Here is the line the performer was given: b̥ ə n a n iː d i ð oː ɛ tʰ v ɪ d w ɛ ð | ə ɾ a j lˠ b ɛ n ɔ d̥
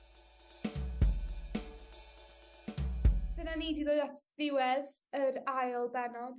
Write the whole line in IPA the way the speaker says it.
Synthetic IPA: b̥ ə n a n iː d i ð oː a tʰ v ɪ w ɛ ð | ə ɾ a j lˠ b ɛ n ɔ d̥